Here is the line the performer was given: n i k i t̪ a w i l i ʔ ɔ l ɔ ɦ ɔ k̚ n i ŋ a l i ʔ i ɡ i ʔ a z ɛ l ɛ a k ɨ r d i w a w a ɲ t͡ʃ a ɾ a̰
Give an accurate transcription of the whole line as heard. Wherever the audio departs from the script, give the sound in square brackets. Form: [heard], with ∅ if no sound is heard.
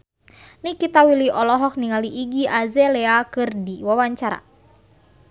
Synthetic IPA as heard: n i k i t̪ a w i l i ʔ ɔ l ɔ ɦ ɔ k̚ n i ŋ a l i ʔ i ɡ i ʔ a z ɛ l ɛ a k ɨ r d i w a w a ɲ t͡ʃ a ɾ a̰